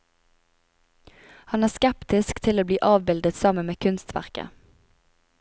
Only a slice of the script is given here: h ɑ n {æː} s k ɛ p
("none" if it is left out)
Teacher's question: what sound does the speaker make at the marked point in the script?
æː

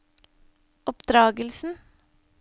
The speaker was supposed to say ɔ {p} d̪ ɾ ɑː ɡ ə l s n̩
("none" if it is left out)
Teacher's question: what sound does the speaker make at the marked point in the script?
p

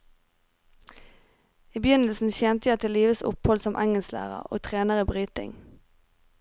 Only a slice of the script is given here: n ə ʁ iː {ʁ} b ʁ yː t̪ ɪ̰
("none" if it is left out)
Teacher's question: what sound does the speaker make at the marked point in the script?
none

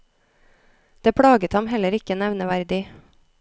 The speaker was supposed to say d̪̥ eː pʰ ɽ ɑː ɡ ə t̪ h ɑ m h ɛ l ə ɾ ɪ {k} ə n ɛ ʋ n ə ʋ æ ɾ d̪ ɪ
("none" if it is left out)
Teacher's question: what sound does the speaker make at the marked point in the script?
k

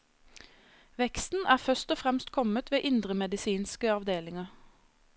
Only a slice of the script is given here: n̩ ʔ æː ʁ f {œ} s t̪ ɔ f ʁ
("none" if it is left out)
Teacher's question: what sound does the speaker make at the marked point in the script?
œ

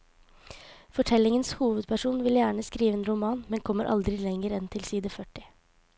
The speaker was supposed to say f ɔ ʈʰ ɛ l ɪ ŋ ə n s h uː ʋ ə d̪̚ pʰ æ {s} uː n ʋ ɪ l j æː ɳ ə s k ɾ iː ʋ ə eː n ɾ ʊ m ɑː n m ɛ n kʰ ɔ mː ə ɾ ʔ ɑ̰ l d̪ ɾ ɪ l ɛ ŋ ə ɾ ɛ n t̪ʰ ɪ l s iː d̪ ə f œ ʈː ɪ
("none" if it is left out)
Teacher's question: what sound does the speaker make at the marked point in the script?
ʂ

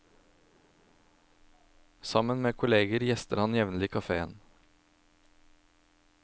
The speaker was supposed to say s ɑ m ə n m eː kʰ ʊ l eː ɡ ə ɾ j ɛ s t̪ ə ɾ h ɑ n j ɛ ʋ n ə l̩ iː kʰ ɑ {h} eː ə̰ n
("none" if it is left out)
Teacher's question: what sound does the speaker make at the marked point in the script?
f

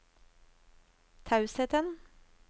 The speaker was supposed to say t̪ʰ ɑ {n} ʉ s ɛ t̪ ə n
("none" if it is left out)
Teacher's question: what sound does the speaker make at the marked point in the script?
none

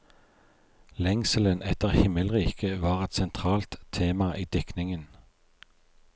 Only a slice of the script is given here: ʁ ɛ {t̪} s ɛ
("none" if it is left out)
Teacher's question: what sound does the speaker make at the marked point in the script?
t̪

